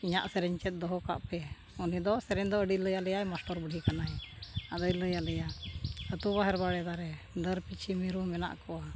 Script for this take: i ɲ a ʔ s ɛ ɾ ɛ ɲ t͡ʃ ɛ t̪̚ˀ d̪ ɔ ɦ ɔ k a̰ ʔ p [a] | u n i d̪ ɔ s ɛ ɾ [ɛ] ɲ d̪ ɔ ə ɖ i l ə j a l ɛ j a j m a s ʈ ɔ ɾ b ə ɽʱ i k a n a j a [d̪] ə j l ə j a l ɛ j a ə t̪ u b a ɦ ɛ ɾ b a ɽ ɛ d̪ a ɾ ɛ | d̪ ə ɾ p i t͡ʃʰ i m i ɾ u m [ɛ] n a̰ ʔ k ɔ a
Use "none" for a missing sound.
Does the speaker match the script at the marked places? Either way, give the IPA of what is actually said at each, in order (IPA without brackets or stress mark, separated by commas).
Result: ɛ, ɛ, d̪, ɛ